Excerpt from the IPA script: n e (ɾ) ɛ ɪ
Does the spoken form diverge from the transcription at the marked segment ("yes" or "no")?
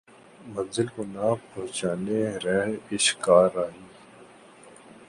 no